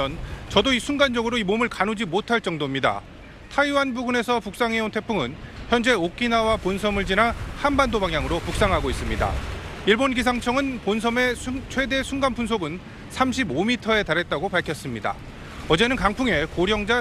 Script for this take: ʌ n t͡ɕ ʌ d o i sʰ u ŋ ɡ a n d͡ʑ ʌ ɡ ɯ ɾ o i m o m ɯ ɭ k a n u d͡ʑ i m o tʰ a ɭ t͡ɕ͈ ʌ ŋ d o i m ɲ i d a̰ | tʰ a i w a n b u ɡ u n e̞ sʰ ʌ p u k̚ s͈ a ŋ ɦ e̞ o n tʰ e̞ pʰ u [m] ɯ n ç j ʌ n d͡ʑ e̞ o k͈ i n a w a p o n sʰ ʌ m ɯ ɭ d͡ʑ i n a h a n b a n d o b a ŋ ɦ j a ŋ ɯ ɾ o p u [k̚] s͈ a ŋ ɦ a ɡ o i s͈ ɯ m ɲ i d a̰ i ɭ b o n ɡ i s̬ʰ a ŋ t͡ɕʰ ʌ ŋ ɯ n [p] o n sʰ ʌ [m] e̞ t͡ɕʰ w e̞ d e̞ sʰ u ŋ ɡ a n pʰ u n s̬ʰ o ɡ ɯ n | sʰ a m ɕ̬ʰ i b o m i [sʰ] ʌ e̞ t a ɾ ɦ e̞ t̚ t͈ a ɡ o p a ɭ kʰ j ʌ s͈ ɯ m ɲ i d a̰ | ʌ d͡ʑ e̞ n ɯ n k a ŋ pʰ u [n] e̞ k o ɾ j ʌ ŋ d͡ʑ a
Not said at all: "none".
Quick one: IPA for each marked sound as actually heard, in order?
ŋ, k̚, p, m, tʰ, ŋ

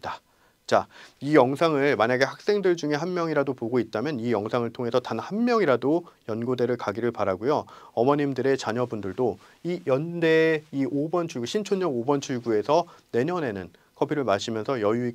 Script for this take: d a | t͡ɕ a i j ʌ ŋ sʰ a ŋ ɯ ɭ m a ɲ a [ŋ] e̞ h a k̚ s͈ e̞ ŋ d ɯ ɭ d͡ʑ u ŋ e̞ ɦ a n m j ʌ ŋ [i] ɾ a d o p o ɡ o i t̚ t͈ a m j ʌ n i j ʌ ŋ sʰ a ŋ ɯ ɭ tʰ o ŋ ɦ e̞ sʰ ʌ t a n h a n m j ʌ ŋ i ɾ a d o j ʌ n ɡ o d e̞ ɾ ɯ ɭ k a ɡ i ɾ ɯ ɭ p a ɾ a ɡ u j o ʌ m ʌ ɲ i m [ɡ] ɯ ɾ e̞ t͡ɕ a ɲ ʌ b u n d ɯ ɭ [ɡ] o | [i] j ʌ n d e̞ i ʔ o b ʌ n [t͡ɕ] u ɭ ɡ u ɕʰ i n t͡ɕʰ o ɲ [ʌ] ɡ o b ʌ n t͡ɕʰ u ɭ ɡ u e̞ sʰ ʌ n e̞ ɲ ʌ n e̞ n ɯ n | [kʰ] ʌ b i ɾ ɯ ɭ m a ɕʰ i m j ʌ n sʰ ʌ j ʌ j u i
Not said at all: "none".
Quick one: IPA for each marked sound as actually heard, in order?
ɡ, i, d, d, i, t͡ɕʰ, ʌ, kʰ

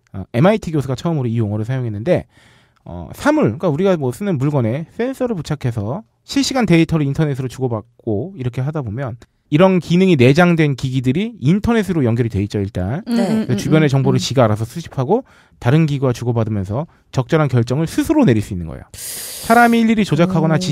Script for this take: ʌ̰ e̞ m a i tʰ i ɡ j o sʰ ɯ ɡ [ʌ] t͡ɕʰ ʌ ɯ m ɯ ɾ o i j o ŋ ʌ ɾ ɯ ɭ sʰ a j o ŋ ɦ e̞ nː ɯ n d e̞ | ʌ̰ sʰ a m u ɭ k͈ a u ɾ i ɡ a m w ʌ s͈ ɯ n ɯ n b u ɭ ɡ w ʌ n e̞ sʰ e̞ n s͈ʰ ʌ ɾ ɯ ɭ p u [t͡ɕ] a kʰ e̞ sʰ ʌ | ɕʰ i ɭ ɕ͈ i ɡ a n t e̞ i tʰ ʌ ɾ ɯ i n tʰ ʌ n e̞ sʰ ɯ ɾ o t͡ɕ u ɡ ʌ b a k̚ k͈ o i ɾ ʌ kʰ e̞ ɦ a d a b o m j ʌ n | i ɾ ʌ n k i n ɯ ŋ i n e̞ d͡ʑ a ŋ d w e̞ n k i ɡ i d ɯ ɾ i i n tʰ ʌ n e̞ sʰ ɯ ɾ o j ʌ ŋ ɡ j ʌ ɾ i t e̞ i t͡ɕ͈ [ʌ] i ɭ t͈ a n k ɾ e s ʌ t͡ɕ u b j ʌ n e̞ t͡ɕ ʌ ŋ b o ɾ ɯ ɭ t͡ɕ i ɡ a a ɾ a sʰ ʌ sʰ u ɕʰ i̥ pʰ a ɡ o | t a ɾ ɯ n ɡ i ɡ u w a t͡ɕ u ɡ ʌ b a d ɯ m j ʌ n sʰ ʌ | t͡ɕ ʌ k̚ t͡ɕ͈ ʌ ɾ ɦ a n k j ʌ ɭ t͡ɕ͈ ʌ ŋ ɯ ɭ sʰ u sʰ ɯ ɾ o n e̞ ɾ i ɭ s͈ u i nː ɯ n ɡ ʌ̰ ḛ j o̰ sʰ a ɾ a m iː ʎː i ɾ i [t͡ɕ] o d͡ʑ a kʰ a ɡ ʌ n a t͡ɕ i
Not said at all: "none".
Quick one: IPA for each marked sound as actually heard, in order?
a, t͡ɕʰ, ʌ, t͡ɕ

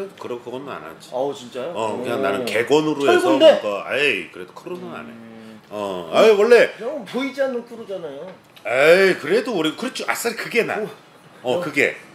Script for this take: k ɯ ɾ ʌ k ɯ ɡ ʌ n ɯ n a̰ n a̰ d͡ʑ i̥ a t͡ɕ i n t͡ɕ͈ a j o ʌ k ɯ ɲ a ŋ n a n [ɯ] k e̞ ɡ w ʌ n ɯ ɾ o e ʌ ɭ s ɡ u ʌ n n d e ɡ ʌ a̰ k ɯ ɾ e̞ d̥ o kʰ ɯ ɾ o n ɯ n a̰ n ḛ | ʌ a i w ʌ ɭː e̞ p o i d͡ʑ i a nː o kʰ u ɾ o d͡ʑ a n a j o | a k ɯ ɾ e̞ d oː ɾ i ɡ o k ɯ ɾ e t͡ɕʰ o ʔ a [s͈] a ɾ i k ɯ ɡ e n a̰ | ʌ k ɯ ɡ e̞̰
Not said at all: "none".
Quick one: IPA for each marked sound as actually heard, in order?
ɯ, s͈

